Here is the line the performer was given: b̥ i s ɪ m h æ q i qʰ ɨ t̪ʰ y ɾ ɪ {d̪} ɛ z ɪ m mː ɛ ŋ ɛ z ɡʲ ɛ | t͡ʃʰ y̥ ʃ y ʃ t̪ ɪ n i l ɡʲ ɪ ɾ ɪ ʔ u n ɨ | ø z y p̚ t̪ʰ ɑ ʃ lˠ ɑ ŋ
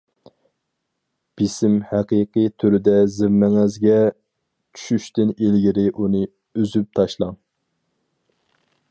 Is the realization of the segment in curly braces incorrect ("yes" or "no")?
no